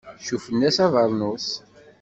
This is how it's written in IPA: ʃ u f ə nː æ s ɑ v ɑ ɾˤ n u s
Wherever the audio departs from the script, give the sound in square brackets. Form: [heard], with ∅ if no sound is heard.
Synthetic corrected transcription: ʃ u f ə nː æ s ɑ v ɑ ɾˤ n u s

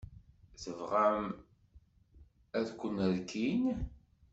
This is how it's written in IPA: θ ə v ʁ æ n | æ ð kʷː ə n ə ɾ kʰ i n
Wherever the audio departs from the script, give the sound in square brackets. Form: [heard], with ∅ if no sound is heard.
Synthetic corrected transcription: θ ə v ʁ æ [m] | æ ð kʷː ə n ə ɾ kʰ i n

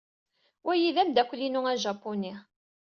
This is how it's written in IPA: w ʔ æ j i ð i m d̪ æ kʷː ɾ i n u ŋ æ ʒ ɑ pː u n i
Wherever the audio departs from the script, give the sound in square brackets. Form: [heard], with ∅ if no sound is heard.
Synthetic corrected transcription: w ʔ æ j i ð [æ] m d̪ æ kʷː [l] i n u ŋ æ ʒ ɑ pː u n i

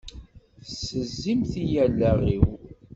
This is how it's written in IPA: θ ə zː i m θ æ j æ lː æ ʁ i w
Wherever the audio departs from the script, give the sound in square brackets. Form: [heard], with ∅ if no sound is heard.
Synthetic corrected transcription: [s] ə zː i m θ [i] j æ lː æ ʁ i w

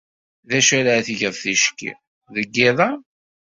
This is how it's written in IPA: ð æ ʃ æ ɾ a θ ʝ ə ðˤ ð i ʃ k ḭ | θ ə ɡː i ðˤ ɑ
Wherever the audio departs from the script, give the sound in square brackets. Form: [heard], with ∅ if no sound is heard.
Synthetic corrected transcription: ð æ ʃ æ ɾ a θ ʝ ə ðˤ [θ] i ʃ k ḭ | [ð] ə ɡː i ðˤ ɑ

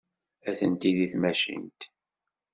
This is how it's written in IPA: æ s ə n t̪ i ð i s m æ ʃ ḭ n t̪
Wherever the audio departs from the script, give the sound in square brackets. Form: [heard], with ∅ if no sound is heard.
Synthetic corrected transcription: æ [θ] ə n t̪ i ð i [θ] m æ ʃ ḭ n t̪

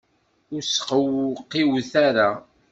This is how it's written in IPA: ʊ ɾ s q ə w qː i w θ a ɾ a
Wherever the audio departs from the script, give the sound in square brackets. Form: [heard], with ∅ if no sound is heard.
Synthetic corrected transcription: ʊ ɾ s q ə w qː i w θ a ɾ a

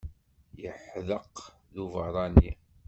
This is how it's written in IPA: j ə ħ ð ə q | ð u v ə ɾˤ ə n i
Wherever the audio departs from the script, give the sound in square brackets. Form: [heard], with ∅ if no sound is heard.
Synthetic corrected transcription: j ə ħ ð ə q | ð u v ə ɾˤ [ɑ] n i

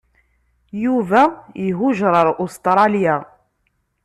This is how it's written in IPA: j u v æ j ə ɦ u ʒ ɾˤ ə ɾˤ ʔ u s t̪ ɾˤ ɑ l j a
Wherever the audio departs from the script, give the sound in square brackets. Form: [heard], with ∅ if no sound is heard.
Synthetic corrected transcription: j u v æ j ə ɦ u ʒ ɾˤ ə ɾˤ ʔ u s t̪ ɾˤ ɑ l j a

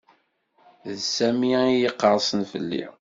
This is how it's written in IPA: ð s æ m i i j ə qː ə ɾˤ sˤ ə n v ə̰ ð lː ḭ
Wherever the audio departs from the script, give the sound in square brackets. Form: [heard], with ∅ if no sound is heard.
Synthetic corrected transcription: ð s æ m i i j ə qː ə ɾˤ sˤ ə n [f] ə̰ [∅] lː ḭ

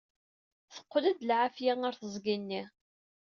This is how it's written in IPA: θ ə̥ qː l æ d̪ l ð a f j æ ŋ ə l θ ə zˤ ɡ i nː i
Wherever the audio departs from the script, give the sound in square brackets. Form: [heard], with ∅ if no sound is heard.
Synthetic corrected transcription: θ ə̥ qː l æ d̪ l [ʕ] a f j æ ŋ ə [ɾ] θ ə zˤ ɡ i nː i

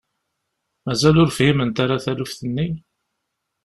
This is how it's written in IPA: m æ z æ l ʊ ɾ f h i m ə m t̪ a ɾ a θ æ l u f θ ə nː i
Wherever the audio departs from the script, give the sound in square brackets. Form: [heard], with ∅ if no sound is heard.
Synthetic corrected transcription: m æ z æ l ʊ ɾ f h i m ə [n] t̪ a ɾ a θ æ l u f θ ə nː i

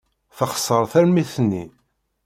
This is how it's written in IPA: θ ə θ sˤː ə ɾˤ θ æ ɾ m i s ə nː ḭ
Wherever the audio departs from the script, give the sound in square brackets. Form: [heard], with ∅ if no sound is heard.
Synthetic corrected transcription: θ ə [χ] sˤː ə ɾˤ θ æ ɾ m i [θ] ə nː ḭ

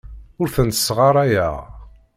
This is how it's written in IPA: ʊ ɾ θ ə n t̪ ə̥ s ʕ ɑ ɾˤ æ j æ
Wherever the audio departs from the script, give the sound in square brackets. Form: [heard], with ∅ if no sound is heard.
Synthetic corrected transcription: ʊ ɾ θ ə n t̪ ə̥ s [ʁ] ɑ ɾˤ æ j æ

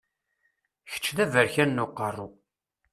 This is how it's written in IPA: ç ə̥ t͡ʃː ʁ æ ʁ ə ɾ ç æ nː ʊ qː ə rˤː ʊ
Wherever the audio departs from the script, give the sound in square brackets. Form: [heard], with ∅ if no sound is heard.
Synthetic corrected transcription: ç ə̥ t͡ʃː [ð] æ [v] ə ɾ ç æ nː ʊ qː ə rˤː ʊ

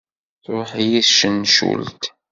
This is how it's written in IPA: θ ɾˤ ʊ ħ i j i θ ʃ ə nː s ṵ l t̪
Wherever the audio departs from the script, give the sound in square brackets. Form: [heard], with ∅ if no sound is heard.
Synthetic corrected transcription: θ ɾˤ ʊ ħ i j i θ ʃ ə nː [ʃ] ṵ l t̪

